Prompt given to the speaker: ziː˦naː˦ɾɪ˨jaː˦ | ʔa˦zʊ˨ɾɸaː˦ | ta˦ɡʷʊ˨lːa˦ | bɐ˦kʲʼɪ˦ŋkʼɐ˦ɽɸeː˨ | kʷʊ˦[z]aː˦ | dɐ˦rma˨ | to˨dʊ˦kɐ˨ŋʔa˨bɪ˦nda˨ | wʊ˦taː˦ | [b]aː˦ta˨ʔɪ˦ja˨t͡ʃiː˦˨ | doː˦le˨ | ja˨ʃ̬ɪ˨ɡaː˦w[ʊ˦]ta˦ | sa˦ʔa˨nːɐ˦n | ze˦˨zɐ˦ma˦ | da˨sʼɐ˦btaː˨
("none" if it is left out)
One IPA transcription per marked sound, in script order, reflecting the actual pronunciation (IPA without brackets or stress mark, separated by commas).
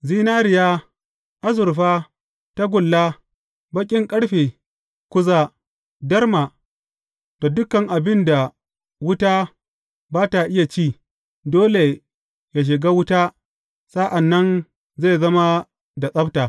z, b, ʊ˦